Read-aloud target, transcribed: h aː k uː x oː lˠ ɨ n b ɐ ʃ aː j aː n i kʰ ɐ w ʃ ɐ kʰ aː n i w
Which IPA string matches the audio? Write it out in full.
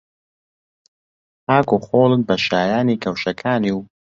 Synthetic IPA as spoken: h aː k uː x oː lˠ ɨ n b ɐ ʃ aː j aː n i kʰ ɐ w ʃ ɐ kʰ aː n i w